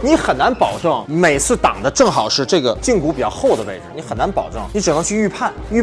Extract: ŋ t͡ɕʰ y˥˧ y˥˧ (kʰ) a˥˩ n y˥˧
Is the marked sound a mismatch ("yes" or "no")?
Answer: yes